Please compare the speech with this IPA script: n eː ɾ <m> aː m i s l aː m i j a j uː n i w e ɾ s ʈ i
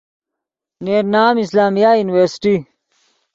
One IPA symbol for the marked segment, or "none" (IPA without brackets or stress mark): n